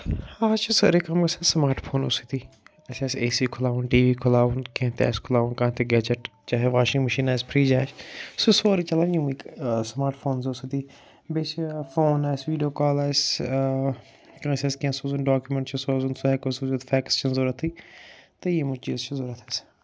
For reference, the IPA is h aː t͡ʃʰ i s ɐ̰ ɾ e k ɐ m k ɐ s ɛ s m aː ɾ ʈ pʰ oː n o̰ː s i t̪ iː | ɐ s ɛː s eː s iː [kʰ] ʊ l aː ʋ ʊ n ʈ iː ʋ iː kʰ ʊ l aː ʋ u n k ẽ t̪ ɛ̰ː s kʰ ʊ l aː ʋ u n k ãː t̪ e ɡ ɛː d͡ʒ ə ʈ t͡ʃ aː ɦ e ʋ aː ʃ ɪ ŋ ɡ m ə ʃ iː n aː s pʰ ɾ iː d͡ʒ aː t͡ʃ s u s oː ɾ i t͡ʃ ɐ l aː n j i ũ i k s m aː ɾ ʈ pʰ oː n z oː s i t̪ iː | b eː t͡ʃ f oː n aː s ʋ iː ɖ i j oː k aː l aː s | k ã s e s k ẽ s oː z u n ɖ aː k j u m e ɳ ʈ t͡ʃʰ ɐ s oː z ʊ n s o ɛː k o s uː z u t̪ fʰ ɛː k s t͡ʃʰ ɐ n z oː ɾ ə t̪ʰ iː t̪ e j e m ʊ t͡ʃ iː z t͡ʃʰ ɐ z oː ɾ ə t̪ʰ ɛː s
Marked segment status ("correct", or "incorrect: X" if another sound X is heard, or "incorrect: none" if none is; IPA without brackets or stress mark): correct